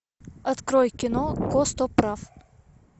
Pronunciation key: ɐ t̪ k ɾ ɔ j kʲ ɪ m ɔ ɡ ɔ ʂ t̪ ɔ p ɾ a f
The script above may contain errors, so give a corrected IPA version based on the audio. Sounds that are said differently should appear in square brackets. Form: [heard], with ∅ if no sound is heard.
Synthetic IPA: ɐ t̪ k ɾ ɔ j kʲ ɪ [n] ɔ [k] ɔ [s] t̪ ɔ p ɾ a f